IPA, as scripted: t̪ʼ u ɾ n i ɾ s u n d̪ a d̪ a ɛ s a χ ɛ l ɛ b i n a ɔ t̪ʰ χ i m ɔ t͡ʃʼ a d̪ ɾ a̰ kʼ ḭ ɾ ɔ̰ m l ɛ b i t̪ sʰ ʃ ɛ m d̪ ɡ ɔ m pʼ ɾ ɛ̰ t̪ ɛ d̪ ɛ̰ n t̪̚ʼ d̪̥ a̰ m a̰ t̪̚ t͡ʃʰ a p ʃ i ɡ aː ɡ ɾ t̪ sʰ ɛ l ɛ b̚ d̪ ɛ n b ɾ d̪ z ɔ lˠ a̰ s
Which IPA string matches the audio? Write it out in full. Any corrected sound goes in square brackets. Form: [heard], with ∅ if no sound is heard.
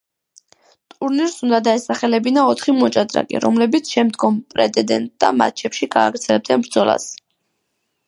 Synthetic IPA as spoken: t̪ʼ u ɾ n i ɾ s u n d̪ a d̪ a ɛ s a χ ɛ l ɛ b i n a ɔ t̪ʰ χ i m ɔ t͡ʃʼ a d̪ ɾ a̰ kʼ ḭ ɾ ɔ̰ m l ɛ b i t̪ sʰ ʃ ɛ m d̪ ɡ ɔ m pʼ ɾ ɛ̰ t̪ ɛ d̪ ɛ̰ n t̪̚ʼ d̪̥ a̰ m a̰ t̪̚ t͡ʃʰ [ɛ] p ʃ i ɡ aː ɡ ɾ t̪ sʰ ɛ l ɛ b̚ d̪ ɛ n b ɾ d̪ z ɔ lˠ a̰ s